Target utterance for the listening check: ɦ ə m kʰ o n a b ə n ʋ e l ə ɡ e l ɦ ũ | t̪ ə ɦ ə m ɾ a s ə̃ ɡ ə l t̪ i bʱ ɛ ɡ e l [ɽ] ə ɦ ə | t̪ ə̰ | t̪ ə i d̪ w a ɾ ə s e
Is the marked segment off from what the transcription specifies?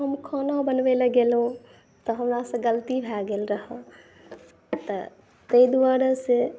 yes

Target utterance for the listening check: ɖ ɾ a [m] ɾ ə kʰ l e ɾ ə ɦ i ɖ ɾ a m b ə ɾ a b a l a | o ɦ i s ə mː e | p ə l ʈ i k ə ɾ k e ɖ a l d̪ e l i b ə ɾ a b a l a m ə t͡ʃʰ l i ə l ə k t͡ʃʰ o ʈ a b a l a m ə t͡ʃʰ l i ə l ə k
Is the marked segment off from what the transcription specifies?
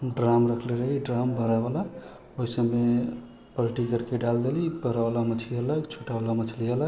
no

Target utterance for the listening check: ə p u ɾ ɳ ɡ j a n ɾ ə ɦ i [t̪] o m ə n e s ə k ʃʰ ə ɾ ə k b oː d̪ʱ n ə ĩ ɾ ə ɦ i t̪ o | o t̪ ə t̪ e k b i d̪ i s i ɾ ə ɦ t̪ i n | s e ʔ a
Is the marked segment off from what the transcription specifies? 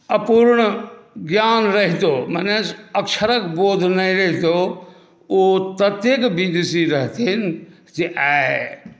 no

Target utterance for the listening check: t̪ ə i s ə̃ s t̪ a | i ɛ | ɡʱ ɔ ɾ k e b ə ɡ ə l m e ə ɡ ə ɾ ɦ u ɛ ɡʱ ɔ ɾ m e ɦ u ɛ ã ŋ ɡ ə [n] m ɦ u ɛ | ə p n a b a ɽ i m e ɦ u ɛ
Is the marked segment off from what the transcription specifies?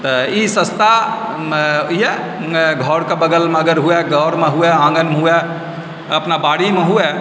no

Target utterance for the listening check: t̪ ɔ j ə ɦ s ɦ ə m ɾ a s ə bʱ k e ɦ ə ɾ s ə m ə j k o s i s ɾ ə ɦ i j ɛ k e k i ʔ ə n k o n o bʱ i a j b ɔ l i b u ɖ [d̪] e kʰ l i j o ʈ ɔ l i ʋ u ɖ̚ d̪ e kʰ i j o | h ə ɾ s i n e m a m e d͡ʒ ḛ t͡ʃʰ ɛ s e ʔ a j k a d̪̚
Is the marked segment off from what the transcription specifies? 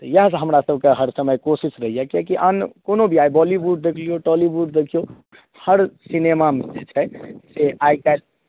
no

